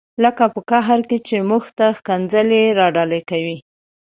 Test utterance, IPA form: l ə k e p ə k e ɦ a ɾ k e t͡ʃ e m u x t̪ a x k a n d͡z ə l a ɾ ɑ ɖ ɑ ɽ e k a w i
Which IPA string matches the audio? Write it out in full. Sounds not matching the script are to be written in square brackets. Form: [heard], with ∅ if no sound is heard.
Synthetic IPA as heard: l ə k [a] p ə k [a] ɦ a ɾ k e t͡ʃ e m u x t̪ a x k a n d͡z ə l [e] ɾ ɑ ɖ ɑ [l] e k a w i